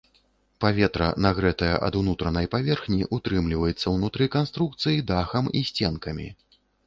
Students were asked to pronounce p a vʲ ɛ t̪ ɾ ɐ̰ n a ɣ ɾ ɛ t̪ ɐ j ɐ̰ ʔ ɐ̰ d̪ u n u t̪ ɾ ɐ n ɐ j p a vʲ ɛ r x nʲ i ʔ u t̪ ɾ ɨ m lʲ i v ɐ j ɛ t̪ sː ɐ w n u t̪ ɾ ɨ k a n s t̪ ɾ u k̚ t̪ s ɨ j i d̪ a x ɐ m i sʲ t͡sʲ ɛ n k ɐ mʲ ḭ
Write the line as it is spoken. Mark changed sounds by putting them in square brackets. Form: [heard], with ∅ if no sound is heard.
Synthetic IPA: p a vʲ ɛ t̪ ɾ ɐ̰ n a ɣ ɾ ɛ t̪ ɐ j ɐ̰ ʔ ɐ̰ d̪ u n u t̪ ɾ ɐ n ɐ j p a vʲ ɛ r x nʲ i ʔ u t̪ ɾ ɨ m lʲ i v ɐ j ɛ t̪ sː ɐ w n u t̪ ɾ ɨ k a n s t̪ ɾ u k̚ t̪ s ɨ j i d̪ a x ɐ m i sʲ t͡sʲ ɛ n k ɐ mʲ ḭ